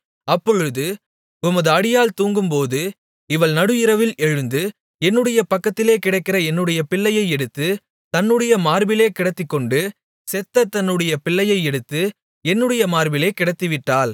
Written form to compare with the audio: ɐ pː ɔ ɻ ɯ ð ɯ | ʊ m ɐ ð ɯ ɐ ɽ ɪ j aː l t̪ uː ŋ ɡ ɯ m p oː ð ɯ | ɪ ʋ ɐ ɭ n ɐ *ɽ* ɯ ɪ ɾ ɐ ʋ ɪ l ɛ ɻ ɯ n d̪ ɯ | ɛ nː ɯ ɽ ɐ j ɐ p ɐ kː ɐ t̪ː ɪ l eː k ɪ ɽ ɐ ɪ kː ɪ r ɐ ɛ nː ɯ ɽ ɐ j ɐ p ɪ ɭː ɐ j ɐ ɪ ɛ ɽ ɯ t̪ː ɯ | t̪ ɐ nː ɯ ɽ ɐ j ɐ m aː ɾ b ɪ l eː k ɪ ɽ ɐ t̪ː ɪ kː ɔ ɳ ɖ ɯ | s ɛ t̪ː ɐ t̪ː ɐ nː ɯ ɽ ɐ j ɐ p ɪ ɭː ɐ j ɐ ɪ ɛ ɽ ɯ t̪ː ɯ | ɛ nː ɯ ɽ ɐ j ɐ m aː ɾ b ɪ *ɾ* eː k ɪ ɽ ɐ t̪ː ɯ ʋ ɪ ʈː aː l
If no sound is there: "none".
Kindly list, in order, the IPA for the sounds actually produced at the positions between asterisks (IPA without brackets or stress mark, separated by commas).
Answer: ɽ, l